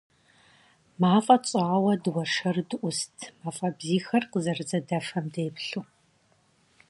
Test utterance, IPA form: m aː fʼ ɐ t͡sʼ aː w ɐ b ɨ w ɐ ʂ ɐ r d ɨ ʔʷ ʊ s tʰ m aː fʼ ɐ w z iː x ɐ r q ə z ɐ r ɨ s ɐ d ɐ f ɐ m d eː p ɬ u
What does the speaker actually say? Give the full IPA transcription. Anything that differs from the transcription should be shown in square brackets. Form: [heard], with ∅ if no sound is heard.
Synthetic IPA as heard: m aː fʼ ɐ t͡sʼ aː w ɐ [d] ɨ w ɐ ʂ ɐ r d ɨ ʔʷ ʊ s tʰ m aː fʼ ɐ [b] z iː x ɐ r q ə z ɐ r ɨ [z] ɐ d ɐ f ɐ m d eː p ɬ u